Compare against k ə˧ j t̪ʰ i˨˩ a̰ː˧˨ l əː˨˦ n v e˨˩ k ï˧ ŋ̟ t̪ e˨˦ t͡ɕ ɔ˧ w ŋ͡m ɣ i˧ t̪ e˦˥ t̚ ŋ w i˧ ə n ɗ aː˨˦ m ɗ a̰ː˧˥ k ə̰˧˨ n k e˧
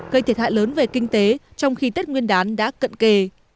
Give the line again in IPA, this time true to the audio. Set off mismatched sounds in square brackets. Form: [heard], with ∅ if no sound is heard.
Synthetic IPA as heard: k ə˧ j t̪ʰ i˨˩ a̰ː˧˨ l əː˨˦ n v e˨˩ k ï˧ ŋ̟ t̪ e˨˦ t͡ɕ ɔ˧ w ŋ͡m [x] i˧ t̪ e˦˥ t̚ ŋ w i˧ ə n ɗ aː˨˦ [n] ɗ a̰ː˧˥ k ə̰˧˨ n k e˧

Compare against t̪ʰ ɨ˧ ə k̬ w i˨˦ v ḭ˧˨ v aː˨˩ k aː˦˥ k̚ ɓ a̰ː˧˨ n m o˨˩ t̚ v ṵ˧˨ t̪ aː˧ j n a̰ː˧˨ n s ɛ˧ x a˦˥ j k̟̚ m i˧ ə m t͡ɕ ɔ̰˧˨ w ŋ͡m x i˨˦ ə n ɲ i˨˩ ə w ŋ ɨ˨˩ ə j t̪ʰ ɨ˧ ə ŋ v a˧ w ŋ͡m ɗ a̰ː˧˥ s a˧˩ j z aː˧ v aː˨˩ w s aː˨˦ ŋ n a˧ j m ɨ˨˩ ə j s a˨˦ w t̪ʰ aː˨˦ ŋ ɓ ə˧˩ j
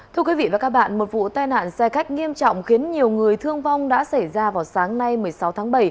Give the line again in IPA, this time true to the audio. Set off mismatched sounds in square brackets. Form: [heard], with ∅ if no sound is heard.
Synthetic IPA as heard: t̪ʰ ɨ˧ ə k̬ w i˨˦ v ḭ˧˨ v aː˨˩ k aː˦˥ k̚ ɓ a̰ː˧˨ n m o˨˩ t̚ v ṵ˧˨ t̪ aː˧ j n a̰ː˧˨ n s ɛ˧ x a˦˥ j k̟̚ [ŋ] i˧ ə m t͡ɕ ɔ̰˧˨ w ŋ͡m x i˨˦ ə n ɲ i˨˩ ə w ŋ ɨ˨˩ ə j t̪ʰ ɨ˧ ə ŋ v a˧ w ŋ͡m ɗ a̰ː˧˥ s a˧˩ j z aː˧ v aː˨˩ w s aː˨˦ ŋ n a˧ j m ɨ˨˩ ə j s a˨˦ w t̪ʰ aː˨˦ ŋ ɓ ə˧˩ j

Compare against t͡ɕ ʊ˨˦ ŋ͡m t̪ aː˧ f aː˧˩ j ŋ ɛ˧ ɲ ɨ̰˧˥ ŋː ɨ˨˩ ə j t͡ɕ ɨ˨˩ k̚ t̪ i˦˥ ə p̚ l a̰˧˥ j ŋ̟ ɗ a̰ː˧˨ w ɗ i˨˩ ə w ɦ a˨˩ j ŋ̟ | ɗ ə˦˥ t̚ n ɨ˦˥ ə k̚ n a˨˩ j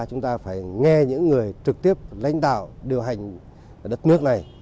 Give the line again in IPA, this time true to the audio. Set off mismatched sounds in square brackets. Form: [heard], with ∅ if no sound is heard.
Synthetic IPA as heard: t͡ɕ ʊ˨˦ ŋ͡m t̪ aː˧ f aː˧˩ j ŋ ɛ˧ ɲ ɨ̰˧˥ ŋː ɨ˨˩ ə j t͡ɕ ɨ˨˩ k̚ t̪ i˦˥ ə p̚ l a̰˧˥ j ŋ̟ ɗ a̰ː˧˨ w ɗ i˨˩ ə w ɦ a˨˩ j ŋ̟ | ɗ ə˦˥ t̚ n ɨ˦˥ ə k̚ n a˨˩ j

